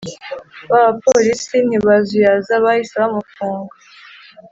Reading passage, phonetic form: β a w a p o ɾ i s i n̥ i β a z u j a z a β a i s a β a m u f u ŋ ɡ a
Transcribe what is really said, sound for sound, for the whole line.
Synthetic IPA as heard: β a β a p o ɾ i s i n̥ i β a z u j a z a β a i s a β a m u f uː ŋ ɡ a